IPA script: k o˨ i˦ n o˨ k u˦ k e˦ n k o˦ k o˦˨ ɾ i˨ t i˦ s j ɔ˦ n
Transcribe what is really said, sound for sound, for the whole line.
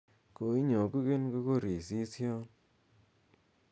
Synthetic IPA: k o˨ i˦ ɲ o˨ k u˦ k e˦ n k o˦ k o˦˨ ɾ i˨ s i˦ s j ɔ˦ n